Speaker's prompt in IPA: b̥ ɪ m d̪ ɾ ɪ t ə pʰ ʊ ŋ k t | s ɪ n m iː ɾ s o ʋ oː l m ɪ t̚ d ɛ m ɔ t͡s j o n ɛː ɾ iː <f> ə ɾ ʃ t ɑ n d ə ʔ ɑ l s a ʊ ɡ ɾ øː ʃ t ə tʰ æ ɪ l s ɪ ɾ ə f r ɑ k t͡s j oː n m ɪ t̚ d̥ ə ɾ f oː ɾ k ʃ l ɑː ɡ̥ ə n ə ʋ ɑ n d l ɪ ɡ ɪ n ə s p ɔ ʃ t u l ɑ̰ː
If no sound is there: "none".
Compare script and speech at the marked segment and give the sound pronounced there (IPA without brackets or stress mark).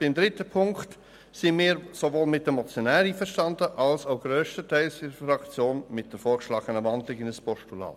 f